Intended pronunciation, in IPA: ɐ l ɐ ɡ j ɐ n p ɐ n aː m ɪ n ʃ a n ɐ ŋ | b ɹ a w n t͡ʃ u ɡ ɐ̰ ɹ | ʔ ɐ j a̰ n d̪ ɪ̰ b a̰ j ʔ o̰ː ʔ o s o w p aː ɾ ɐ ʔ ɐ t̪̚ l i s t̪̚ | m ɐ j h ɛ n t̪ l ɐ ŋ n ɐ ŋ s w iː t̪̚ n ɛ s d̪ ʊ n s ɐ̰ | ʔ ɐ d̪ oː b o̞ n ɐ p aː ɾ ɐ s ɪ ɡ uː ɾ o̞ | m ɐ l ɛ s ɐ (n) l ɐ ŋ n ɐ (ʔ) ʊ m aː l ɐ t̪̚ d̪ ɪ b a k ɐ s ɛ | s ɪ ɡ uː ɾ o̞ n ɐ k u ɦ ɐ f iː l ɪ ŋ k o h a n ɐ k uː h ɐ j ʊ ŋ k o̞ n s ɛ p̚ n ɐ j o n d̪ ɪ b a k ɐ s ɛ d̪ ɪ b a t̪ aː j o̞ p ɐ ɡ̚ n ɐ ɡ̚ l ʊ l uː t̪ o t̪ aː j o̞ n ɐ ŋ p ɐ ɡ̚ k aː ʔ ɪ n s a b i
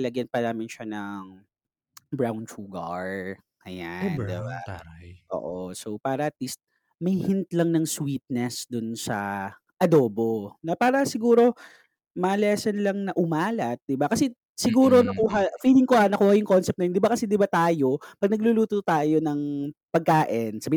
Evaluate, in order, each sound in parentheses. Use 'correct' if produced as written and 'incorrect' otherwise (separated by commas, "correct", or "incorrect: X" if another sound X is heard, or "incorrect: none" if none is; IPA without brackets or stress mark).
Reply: correct, correct